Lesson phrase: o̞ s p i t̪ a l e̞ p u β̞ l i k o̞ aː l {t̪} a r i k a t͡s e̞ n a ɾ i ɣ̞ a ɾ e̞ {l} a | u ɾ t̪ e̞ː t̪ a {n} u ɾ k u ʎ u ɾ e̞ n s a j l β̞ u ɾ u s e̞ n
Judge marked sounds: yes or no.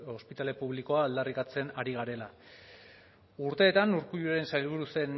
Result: no, yes, yes

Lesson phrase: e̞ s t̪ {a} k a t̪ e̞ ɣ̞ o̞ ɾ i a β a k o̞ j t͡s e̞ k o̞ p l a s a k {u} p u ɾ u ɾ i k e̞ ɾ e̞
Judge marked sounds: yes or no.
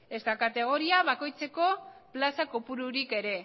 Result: yes, no

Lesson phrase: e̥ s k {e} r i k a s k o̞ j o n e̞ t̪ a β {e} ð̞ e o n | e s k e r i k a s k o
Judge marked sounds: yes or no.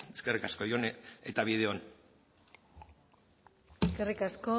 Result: yes, no

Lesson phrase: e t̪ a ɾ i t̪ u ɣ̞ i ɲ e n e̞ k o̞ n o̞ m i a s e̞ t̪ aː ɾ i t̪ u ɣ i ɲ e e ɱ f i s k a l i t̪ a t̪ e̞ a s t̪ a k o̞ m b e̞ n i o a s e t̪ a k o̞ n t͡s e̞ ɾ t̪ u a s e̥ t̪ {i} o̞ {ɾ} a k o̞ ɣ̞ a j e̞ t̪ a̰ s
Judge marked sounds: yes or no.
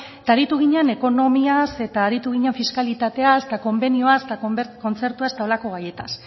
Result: no, no

